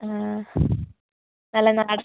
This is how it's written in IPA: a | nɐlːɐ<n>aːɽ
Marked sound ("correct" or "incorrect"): correct